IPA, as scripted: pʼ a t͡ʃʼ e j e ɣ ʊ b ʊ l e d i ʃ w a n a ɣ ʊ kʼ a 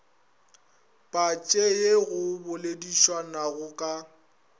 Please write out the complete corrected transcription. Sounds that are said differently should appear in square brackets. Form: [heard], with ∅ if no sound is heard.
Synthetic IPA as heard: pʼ a t͡ʃʼ e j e ɣ ʊ b ʊ l e d i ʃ w a n a ɣ ʊ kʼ a